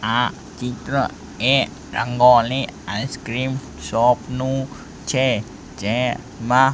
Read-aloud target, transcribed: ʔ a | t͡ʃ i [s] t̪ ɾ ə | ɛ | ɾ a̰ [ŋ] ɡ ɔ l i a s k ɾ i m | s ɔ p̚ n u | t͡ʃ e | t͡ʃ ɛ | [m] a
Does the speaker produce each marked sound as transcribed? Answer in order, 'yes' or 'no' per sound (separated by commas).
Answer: no, yes, yes